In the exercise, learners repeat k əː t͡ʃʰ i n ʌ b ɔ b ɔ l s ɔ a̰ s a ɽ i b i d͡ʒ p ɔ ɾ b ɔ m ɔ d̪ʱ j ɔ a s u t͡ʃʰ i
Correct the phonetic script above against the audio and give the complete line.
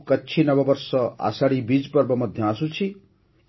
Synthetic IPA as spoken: k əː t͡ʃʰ i n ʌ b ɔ b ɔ ɾ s ɔ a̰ s a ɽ i b i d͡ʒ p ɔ ɾ b ɔ m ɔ d̪ʱ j ɔ a s u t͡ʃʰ i